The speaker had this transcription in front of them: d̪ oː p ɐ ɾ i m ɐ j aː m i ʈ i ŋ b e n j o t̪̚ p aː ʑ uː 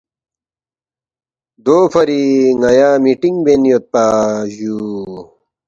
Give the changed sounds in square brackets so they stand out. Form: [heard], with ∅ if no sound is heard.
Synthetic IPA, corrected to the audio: d̪ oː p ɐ ɾ i [ŋ] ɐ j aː m i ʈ i ŋ b e n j o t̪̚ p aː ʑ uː

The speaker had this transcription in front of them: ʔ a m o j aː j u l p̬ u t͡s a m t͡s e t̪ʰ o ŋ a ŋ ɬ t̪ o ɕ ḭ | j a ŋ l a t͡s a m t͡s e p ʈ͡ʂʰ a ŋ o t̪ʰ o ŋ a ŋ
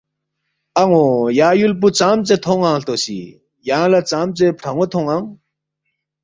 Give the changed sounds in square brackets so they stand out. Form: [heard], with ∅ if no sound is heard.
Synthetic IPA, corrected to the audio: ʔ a [ŋ] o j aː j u l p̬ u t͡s a m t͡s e t̪ʰ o ŋ a ŋ ɬ t̪ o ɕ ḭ | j a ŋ l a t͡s a m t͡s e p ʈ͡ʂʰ a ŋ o t̪ʰ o ŋ a ŋ

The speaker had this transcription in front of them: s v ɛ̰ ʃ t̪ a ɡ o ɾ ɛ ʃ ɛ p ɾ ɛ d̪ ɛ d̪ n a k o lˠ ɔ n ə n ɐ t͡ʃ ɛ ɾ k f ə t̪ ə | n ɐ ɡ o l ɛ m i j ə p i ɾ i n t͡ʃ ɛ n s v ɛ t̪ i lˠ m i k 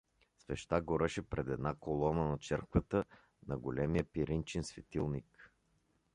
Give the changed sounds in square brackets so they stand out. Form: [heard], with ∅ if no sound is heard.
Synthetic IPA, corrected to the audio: s v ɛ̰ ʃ t̪ a ɡ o ɾ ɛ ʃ ɛ p ɾ ɛ d̪ ɛ d̪ n a k o lˠ ɔ n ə n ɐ t͡ʃ ɛ ɾ k [v] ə t̪ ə | n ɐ ɡ o l ɛ m i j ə p i ɾ i n t͡ʃ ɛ n s v ɛ t̪ i lˠ [n] i k

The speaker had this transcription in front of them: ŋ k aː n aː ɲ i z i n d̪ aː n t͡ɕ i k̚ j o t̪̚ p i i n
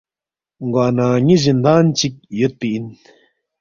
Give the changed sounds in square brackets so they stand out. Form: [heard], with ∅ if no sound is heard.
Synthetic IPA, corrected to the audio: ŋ [ɡ] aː n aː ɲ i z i n d̪ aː n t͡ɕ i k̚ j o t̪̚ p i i n

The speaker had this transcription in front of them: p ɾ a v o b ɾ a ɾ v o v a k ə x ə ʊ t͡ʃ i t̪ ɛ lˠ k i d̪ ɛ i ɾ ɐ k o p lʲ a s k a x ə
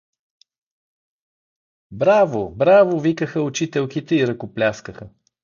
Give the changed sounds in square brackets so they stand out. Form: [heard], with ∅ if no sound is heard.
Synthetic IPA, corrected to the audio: [b] ɾ a v o b ɾ a [∅] v o v [i] k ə x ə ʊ t͡ʃ i t̪ ɛ lˠ k i [t̪] ɛ i ɾ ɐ k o p lʲ a s k [ə] x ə

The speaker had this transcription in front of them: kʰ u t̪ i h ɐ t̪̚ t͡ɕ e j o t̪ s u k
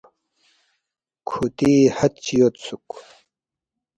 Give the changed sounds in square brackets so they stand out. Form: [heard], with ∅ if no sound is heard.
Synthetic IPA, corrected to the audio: kʰ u t̪ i h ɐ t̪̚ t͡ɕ [i] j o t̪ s u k

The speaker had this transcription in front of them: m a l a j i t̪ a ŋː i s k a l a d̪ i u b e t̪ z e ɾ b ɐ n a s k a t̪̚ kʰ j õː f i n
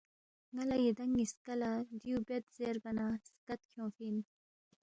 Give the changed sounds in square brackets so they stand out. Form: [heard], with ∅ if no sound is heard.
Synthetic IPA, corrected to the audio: [ŋ] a l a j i [d̪] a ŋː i s k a l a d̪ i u b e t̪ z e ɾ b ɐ n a s k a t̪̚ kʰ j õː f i n

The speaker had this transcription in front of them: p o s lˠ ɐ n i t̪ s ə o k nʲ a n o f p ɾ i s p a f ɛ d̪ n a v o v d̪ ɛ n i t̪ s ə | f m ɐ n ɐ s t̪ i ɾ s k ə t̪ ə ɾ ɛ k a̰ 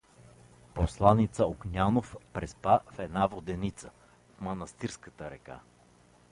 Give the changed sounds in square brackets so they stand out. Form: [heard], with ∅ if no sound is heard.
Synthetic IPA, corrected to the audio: p o s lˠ [a] n i t̪ s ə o k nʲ a n o f p ɾ [ɛ] s p a f ɛ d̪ n a v o [∅] d̪ ɛ n i t̪ s ə | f m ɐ n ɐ s t̪ i ɾ s k ə t̪ ə ɾ ɛ k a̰

